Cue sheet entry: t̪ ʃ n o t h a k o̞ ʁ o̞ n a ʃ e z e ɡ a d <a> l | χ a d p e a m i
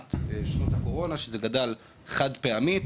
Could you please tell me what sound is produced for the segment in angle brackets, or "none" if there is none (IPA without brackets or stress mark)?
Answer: a